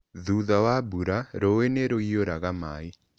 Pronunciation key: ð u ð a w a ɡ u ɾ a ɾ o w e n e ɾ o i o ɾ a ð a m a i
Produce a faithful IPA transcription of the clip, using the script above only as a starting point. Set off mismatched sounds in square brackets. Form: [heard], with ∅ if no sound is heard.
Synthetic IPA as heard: ð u ð a w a [b] u ɾ a ɾ o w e n e ɾ o i o ɾ a [ɣ] a m a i